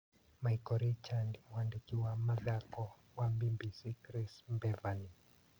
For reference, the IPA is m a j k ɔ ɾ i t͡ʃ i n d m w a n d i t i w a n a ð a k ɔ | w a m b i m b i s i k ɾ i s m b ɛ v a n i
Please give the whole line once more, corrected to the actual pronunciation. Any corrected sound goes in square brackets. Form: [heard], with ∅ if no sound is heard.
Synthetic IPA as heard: m a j k ɔ ɾ i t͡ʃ [a] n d m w a n d i [k] i w a [m] a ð a k ɔ | w a m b i m b i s i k ɾ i s m b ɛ v a n i